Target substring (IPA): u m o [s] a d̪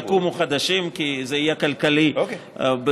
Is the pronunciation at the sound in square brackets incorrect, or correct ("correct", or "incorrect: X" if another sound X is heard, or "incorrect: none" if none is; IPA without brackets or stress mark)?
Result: incorrect: χ